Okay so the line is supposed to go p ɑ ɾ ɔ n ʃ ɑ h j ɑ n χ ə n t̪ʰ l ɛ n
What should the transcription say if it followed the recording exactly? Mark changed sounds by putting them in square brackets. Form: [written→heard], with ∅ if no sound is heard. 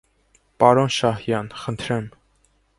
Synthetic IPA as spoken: p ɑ ɾ ɔ n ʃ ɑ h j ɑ n χ ə n t̪ʰ [l→ɾ] ɛ [n→m]